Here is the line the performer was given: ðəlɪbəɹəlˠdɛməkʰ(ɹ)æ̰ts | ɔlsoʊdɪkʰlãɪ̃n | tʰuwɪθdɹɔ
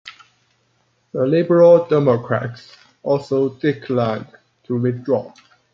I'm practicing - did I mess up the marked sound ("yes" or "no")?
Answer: no